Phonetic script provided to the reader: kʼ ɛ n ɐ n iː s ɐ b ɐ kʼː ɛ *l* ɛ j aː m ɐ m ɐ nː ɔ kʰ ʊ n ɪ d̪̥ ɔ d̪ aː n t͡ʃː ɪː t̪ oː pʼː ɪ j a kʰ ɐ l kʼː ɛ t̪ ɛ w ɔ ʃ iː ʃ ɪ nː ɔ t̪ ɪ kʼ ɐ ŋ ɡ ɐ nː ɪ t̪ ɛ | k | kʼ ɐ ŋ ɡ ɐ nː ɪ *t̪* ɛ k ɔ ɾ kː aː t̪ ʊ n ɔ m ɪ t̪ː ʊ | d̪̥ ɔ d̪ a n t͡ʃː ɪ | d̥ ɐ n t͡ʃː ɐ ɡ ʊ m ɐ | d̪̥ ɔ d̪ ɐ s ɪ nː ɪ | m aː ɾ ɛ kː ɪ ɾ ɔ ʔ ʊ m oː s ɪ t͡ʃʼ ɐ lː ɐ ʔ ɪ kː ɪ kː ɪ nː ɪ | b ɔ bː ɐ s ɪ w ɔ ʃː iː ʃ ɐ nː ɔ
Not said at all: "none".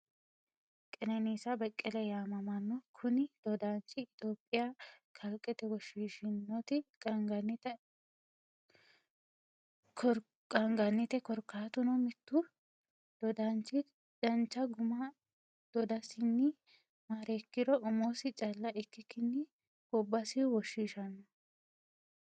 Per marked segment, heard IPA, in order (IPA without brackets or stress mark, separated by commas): l, t̪